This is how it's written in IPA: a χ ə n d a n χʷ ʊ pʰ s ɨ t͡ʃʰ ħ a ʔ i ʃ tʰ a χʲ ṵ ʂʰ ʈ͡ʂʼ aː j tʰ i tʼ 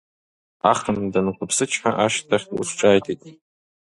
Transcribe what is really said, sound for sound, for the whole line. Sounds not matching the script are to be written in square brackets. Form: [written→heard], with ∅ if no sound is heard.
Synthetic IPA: a χ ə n d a n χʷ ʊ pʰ s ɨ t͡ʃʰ ħ a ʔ [i→a] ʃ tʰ a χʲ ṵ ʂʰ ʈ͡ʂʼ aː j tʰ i tʼ